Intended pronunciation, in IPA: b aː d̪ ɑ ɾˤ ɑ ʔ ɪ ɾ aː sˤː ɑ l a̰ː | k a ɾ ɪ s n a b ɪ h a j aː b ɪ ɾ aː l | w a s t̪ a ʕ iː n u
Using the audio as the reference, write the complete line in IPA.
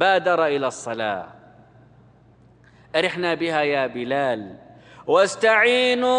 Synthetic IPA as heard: b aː d̪ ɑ ɾˤ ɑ ʔ ɪ l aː sˤː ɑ l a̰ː | ʔ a ɾ ɪ ħ n a b ɪ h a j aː b ɪ l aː l | w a s t̪ a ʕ iː n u